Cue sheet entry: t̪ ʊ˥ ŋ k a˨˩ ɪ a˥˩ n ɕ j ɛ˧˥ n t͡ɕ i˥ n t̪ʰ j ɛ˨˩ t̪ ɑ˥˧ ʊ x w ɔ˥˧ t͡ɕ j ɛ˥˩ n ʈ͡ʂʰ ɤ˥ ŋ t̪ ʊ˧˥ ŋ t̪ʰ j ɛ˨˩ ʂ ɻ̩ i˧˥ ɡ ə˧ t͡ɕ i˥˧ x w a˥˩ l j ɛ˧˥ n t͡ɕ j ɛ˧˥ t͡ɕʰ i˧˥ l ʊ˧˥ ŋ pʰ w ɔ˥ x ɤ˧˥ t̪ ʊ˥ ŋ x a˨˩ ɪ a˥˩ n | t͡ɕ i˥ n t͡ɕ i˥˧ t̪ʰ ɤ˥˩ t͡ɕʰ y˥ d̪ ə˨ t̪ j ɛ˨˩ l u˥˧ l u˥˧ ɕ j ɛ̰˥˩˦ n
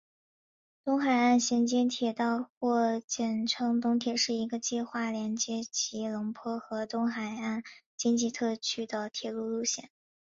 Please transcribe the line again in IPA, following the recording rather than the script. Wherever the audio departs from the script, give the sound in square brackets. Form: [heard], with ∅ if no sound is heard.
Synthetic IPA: t̪ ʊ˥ ŋ [x] a˨˩ ɪ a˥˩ n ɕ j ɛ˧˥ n t͡ɕ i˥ n t̪ʰ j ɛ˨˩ t̪ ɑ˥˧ ʊ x w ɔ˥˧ t͡ɕ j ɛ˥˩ n ʈ͡ʂʰ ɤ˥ ŋ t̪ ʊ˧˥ ŋ t̪ʰ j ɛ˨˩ ʂ ɻ̩ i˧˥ ɡ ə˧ t͡ɕ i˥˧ x w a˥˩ l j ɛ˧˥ n t͡ɕ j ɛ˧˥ t͡ɕʰ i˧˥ l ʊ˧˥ ŋ pʰ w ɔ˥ x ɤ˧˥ t̪ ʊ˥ ŋ x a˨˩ ɪ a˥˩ n | t͡ɕ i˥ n t͡ɕ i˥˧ t̪ʰ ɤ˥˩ t͡ɕʰ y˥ d̪ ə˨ [t̪ʰ] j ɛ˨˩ l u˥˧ l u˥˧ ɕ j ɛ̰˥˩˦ n